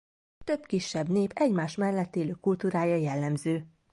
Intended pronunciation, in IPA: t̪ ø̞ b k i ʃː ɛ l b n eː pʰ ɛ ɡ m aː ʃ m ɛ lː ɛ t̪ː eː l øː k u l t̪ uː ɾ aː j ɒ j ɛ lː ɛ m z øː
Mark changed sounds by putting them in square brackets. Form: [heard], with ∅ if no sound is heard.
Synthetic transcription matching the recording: t̪ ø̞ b k i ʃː ɛ [∅] b n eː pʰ ɛ [ɟ] m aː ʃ m ɛ lː ɛ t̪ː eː l øː k u l t̪ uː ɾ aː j ɒ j ɛ lː ɛ m z øː